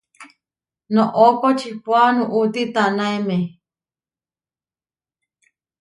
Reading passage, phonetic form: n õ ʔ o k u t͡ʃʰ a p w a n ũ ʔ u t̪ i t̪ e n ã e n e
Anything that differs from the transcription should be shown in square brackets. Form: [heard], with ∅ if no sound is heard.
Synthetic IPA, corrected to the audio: n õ ʔ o k [o] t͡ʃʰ [i] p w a n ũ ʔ u t̪ i t̪ [a] n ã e [m] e